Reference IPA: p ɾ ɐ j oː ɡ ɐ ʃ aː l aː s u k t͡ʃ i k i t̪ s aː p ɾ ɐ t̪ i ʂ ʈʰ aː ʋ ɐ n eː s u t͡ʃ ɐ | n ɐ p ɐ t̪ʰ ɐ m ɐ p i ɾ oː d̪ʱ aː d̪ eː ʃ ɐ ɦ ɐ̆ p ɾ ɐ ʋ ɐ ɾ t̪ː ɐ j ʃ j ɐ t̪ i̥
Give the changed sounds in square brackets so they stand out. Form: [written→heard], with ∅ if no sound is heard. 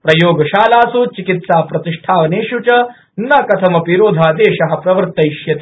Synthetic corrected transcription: p ɾ ɐ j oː ɡ ɐ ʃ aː l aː s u [k→∅] t͡ʃ i k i t̪ s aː p ɾ ɐ t̪ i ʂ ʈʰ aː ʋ ɐ n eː [s→ʃ] u t͡ʃ ɐ | n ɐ [p→k] ɐ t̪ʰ ɐ m ɐ p i ɾ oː d̪ʱ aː d̪ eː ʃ ɐ ɦ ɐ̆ p ɾ ɐ ʋ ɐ ɾ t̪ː ɐ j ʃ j ɐ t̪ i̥